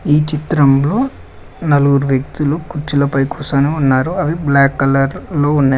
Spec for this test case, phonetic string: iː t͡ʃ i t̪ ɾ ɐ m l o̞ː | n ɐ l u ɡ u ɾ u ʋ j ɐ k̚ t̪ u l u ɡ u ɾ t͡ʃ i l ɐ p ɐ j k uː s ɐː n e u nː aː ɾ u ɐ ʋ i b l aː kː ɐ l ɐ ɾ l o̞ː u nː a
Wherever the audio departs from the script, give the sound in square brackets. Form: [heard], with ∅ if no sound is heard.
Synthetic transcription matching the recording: iː t͡ʃ i t̪ ɾ ɐ m l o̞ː | n ɐ l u ɡ u ɾ u ʋ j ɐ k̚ t̪ u l u [k] u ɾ t͡ʃ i l ɐ p ɐ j k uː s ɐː n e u nː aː ɾ u ɐ ʋ i b l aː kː ɐ l ɐ ɾ l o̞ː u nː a